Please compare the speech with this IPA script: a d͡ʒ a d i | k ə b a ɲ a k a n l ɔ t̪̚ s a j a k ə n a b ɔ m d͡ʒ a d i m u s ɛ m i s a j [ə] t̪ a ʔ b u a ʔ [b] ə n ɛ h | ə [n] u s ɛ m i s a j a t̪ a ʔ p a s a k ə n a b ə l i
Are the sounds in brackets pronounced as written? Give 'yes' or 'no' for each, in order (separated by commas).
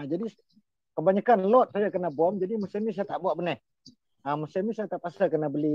no, yes, no